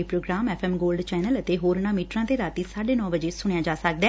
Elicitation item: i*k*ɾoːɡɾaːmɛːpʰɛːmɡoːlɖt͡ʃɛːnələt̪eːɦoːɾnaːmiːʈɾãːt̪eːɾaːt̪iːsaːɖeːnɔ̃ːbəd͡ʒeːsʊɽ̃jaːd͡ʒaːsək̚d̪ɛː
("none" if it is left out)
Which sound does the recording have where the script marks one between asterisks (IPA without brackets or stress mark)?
p